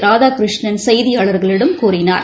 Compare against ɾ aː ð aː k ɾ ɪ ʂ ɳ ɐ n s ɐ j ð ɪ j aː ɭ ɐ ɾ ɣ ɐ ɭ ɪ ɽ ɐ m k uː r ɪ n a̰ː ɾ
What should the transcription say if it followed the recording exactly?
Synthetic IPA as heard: ɾ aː ð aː k ɾ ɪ ʂ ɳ ɐ n s ɐ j ð ɪ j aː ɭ ɐ ɾ ɣ ɐ ɭ ɪ ɽ ɐ m k uː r ɪ n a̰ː ɾ